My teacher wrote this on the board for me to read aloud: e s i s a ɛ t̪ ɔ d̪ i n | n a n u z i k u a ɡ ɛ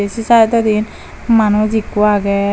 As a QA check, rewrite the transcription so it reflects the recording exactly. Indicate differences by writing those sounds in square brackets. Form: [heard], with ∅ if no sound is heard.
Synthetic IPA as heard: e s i s a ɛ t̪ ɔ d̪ i n | [m] a n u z i k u a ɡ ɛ